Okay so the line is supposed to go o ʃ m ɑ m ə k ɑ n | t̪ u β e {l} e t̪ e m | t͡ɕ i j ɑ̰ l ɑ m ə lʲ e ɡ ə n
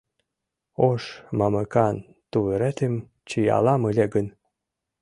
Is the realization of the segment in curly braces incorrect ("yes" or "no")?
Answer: yes